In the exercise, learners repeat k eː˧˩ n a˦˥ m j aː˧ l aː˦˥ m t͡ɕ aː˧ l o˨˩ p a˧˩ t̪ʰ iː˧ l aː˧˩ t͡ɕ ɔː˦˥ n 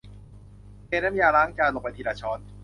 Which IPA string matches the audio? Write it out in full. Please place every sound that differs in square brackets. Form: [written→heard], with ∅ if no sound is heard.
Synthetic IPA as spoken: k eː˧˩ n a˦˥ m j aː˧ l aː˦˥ [m→ŋ] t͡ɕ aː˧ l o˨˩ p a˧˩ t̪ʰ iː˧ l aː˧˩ [t͡ɕ→t͡ɕʰ] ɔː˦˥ n